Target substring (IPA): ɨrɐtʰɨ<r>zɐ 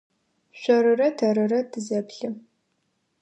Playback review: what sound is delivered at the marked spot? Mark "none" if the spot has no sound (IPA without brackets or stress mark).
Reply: none